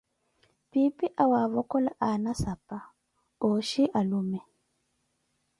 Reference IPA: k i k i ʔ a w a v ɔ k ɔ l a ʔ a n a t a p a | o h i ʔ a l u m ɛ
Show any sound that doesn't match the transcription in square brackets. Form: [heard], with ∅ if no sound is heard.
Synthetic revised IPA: [p] i [p] i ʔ a w a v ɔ k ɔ l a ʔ a n a [s] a p a | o [ʃ] i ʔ a l u m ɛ